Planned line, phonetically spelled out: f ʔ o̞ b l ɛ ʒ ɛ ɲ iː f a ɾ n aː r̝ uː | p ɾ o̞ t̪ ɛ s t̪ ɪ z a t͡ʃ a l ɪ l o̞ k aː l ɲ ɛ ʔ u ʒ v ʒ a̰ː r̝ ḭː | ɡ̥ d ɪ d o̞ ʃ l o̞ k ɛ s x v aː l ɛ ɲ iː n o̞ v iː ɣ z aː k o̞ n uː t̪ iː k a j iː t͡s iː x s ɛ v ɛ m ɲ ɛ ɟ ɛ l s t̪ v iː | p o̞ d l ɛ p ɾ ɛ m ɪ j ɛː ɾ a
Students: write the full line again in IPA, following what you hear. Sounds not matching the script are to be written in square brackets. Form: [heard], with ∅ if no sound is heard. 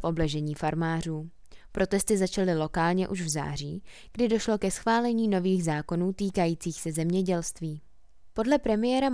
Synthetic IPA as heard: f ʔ o̞ b l ɛ ʒ ɛ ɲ iː f a ɾ [m] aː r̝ uː | p ɾ o̞ t̪ ɛ s t̪ ɪ z a t͡ʃ a l ɪ l o̞ k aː l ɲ ɛ ʔ u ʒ v [z] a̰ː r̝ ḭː | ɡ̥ d ɪ d o̞ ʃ l o̞ k ɛ s x v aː l ɛ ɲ iː n o̞ v iː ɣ z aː k o̞ n uː t̪ iː k a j iː t͡s iː x s ɛ [z] ɛ m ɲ ɛ ɟ ɛ l s t̪ v iː | p o̞ d l ɛ p ɾ ɛ m ɪ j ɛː ɾ a